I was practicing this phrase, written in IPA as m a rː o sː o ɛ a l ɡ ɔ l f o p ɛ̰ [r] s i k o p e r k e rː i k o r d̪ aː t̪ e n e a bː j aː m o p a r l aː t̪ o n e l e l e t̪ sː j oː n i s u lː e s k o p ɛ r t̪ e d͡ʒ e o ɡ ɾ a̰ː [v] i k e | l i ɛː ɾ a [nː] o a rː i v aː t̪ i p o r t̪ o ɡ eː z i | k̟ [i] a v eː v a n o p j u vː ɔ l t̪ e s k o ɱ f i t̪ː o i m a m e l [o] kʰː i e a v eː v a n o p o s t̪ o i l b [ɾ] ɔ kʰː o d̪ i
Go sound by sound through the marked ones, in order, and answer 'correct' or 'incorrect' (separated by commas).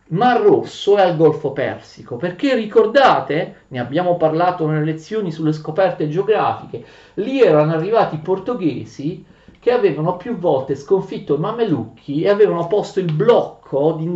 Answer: correct, incorrect, incorrect, incorrect, incorrect, incorrect